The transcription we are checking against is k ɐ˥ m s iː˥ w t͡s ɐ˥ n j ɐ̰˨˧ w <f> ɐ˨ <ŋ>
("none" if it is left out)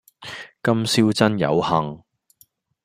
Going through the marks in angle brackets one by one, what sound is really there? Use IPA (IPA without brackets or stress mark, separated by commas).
h, ŋ